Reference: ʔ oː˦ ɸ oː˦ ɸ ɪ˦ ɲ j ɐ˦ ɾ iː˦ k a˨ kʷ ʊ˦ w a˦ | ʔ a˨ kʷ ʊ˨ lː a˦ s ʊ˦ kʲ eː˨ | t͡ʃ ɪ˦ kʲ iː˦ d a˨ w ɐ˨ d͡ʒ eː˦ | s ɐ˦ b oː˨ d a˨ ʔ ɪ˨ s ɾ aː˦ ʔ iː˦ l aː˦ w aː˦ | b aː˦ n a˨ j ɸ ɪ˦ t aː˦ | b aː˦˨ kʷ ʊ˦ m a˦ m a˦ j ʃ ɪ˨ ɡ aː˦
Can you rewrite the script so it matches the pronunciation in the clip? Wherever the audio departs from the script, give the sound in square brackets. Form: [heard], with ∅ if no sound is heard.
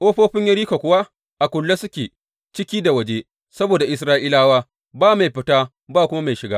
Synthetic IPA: ʔ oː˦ ɸ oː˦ ɸ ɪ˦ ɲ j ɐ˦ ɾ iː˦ k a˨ kʷ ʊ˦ w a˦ | ʔ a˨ kʷ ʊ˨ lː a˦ s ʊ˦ kʲ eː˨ | t͡ʃ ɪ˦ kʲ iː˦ d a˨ w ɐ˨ d͡ʒ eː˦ | s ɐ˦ b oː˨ d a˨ ʔ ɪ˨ s ɾ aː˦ ʔ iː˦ l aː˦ w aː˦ | b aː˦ [m] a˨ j ɸ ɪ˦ t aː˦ | b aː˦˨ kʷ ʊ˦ m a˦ m [a˨] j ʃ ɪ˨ ɡ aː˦